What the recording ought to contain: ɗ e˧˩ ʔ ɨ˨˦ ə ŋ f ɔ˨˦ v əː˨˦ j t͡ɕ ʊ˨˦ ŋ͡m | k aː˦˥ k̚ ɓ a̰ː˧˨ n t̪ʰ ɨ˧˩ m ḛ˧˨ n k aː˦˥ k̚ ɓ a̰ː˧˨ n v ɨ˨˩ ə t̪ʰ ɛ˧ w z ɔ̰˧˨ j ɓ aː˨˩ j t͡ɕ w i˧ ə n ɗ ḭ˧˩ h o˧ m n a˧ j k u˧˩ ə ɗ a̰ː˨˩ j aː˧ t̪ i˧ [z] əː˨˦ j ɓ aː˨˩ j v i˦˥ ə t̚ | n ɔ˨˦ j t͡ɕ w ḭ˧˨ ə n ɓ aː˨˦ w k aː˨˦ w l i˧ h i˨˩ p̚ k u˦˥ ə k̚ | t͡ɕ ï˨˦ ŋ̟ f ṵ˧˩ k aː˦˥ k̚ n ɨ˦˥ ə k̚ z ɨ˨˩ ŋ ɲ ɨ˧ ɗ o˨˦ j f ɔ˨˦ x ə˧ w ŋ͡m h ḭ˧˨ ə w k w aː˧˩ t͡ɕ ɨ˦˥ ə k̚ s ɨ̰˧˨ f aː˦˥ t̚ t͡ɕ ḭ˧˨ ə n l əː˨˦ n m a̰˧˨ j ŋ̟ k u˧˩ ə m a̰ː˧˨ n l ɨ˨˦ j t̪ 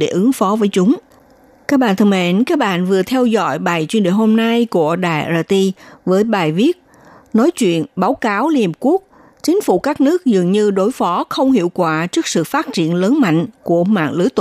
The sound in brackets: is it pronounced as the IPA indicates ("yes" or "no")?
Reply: no